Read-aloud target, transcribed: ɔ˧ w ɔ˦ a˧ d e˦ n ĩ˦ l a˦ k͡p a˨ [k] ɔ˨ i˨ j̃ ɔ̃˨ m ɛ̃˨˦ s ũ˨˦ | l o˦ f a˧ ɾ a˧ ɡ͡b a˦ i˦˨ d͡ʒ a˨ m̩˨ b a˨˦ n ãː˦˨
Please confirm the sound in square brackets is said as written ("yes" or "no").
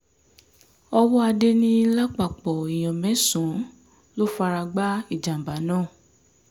no